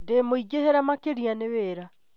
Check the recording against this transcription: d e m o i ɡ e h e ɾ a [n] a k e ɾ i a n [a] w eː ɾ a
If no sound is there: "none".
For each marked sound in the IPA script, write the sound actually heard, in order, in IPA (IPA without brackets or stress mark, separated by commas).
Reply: m, e